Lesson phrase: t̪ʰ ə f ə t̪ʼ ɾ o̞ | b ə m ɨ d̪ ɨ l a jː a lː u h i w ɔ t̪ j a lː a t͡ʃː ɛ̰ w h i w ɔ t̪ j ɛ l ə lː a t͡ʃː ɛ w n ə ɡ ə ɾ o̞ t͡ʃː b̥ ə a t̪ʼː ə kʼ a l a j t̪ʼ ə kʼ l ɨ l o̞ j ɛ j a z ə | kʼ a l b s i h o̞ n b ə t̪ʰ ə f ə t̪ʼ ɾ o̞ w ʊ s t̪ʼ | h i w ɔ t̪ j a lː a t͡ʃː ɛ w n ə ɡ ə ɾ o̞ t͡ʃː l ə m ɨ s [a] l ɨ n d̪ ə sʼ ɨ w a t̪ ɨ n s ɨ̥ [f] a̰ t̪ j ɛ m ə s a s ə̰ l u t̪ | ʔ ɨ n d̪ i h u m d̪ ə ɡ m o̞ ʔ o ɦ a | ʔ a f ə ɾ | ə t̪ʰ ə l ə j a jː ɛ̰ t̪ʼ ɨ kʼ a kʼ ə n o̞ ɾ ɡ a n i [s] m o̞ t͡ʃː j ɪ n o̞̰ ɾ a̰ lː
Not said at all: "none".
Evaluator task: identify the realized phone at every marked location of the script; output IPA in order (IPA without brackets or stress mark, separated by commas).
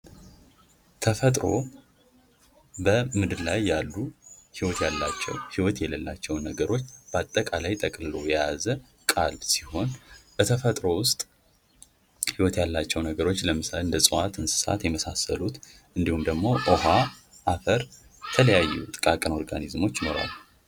a, s, z